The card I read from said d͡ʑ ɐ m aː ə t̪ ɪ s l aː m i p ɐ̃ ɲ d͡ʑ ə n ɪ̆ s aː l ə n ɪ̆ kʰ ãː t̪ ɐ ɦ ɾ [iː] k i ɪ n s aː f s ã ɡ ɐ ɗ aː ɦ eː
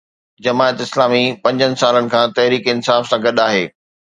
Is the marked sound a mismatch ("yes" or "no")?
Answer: no